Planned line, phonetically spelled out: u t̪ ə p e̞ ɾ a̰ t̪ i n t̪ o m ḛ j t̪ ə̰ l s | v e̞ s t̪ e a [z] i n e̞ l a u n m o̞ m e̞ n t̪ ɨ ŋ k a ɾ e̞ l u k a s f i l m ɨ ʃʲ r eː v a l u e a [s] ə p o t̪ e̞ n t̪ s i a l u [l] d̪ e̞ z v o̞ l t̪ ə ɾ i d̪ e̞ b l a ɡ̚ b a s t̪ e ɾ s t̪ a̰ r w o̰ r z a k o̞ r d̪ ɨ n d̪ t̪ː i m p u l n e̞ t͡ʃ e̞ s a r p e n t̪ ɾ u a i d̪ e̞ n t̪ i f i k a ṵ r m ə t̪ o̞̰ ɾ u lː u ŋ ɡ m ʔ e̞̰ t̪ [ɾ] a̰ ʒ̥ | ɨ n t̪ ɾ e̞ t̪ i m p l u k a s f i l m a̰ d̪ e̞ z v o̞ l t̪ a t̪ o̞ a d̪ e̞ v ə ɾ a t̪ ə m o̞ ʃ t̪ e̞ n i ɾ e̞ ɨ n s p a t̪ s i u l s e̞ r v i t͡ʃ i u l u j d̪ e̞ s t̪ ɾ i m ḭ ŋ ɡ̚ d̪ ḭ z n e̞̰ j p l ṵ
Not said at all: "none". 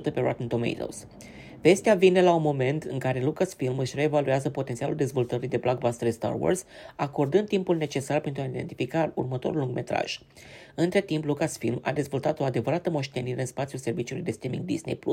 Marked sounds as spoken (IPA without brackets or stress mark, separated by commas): v, z, l, ɾ